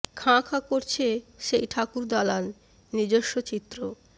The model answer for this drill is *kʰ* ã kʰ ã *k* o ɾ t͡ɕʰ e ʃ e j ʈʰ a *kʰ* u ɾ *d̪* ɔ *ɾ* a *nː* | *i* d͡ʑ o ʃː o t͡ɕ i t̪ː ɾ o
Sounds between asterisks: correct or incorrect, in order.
correct, correct, incorrect: k, correct, incorrect: l, correct, correct

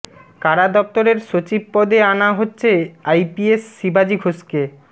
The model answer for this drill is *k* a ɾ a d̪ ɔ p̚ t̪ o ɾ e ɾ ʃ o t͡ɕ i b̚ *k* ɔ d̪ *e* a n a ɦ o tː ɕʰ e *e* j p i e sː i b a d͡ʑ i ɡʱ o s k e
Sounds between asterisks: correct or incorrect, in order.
correct, incorrect: p, correct, incorrect: a

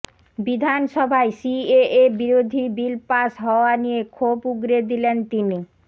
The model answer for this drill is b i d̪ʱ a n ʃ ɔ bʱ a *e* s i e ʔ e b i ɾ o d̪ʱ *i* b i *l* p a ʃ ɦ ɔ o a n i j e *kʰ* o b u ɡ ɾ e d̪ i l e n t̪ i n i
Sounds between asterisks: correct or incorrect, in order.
correct, correct, correct, correct

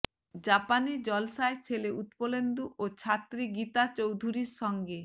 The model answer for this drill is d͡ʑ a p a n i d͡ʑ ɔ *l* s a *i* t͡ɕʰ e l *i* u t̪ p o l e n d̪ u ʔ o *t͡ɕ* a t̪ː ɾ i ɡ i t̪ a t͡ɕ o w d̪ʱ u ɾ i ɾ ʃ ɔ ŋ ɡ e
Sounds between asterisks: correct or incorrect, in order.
correct, incorrect: e, incorrect: e, incorrect: t͡ɕʰ

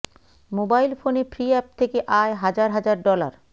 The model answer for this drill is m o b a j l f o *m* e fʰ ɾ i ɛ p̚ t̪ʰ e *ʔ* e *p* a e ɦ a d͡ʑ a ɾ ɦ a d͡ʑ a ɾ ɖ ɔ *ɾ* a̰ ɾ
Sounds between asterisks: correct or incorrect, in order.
incorrect: n, incorrect: k, incorrect: ʔ, incorrect: l

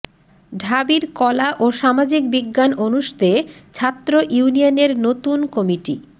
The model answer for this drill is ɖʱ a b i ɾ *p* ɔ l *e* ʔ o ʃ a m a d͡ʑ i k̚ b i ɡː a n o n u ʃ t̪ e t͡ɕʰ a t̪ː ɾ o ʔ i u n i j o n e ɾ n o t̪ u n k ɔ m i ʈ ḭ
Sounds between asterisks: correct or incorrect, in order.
incorrect: k, incorrect: a

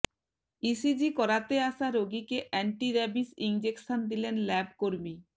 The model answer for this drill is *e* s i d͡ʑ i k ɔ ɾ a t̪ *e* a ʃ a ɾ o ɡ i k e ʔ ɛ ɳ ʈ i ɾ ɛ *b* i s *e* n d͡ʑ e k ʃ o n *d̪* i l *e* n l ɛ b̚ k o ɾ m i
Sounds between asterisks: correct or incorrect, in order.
incorrect: i, correct, correct, incorrect: i, correct, correct

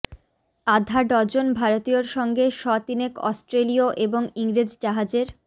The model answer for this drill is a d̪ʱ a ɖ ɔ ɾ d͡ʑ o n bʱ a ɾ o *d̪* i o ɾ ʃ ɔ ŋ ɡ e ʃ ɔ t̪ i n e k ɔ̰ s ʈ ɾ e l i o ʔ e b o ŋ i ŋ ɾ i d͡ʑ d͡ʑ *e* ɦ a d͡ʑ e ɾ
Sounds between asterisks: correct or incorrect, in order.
incorrect: t̪, incorrect: a

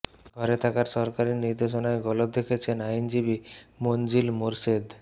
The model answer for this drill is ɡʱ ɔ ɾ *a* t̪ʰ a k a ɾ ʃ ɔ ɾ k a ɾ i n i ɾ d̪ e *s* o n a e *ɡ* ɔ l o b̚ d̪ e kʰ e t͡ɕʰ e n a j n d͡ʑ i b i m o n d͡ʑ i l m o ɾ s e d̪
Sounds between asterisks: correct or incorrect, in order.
incorrect: e, incorrect: ʃ, correct

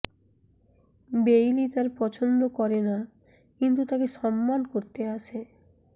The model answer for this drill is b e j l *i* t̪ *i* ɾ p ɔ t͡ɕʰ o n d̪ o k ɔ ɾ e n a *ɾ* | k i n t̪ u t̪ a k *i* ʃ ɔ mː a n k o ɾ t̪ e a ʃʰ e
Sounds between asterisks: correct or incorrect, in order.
correct, incorrect: a, incorrect: none, incorrect: e

